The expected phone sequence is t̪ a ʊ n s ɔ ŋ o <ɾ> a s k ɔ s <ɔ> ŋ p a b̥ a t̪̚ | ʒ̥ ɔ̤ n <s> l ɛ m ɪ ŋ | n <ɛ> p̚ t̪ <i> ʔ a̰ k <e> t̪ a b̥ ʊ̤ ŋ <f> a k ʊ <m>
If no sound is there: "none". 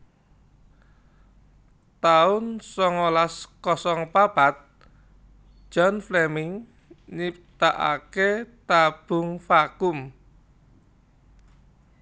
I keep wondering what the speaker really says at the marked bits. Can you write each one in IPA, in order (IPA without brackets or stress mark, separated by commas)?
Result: l, ɔ, f, i, a, e, f, m